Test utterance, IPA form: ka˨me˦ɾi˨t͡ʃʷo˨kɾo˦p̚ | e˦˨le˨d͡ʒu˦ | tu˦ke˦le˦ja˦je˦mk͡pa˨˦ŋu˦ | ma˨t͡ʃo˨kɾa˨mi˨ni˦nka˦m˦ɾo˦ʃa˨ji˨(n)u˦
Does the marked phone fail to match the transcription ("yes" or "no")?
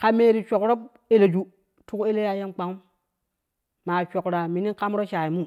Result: yes